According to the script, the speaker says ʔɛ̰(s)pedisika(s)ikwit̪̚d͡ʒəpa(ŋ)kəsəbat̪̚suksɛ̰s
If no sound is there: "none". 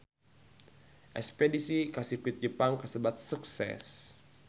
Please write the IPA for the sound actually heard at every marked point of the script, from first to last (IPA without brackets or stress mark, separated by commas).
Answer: s, s, ŋ